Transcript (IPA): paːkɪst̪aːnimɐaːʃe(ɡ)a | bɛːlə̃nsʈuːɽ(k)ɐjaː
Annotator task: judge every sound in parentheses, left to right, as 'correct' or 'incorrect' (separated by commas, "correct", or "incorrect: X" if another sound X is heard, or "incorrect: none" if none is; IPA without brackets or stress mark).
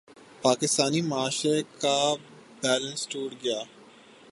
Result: incorrect: k, incorrect: ɡ